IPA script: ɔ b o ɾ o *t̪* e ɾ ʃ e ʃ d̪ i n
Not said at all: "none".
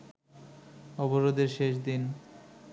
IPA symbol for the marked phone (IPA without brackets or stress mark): d̪